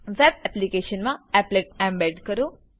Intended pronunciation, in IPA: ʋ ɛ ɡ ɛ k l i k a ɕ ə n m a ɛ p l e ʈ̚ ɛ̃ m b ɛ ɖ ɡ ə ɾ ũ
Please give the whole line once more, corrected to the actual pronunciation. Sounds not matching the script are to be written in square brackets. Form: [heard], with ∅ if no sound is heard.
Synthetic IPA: ʋ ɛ [b] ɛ [p] l i k [e] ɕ ə n m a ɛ p l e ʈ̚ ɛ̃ m b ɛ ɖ [k] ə ɾ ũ